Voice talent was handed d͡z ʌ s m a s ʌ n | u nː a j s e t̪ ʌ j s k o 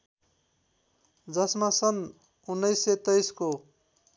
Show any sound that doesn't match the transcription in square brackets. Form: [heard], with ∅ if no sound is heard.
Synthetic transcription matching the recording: d͡z ʌ s m a s ʌ n | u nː [ʌ] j s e t̪ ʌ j s k o